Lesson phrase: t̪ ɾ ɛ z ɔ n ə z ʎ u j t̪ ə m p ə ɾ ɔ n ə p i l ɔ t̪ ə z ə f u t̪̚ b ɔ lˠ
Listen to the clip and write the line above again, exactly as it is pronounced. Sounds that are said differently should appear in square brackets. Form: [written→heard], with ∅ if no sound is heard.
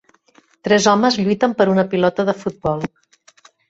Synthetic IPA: t̪ ɾ ɛ z ɔ [n→m] ə z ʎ u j t̪ ə m p ə ɾ [ɔ→u] n ə p i l ɔ t̪ ə [z→ð] ə f u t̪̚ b ɔ lˠ